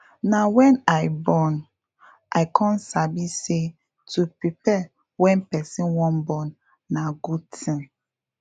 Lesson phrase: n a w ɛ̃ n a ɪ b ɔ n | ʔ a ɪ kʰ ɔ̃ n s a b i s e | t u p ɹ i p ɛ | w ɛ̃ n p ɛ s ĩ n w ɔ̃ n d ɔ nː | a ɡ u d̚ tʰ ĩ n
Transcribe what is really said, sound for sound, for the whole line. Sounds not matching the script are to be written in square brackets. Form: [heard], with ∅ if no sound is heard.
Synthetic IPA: n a w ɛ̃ n a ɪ b ɔ n | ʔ a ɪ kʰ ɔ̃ n s a b i s e | t u p ɹ i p ɛ | w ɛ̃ n p ɛ s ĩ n w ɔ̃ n [b] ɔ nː | a ɡ u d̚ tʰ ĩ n